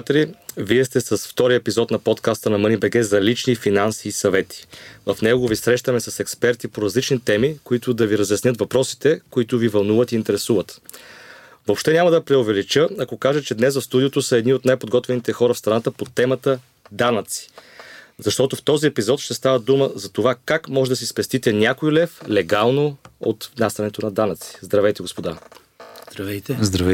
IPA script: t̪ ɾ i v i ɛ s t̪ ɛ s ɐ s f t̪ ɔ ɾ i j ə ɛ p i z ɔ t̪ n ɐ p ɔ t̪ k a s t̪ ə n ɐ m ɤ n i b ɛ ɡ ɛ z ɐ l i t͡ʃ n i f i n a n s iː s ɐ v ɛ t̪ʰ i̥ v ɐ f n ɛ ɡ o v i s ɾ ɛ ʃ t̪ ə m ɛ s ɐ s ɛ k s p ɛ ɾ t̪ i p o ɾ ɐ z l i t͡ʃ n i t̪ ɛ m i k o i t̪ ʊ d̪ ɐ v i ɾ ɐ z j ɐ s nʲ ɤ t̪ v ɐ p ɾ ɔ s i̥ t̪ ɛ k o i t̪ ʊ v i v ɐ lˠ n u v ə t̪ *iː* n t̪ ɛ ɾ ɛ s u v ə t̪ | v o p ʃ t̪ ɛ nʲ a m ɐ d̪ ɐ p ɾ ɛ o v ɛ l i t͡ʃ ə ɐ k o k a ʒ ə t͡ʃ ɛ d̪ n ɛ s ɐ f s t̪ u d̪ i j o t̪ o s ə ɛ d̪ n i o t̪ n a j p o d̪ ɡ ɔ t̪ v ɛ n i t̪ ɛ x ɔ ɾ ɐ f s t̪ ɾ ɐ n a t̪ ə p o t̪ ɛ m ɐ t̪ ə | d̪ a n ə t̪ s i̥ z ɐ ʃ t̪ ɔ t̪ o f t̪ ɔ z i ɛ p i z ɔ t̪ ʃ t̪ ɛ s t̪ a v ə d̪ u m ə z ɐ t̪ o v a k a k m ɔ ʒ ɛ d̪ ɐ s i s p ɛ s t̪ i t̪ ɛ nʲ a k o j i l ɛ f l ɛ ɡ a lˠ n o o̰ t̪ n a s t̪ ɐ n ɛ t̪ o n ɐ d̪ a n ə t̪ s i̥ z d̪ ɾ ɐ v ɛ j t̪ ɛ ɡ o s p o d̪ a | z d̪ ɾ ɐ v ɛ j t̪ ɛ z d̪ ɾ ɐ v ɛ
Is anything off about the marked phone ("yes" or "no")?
no